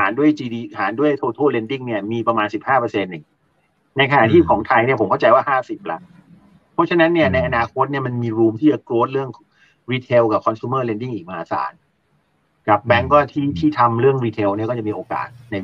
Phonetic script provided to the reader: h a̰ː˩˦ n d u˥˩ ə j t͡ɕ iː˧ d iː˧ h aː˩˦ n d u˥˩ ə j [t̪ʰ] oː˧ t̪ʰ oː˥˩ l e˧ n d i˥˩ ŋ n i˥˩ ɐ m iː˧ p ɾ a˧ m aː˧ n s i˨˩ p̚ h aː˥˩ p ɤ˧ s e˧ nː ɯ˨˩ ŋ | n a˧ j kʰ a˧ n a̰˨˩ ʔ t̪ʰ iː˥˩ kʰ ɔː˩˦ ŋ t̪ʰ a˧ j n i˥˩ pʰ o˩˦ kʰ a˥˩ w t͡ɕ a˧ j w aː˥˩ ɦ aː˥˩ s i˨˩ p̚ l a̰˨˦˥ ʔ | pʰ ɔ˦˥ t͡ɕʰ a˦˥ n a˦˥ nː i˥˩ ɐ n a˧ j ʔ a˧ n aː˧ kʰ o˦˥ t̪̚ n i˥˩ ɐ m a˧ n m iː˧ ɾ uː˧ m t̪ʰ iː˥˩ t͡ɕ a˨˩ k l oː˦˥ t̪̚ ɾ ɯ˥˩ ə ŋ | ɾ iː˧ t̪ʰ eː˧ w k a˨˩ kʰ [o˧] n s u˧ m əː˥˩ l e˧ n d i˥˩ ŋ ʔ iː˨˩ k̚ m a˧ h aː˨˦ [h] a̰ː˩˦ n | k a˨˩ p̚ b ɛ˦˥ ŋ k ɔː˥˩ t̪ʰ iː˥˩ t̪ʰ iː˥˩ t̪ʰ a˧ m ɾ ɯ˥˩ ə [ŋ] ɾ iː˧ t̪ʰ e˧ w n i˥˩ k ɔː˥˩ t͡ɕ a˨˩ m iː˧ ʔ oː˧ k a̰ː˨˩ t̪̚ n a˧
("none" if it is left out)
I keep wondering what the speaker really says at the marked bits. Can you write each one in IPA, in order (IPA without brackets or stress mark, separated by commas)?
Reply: t̪ʰ, ɔ˧, s, ŋ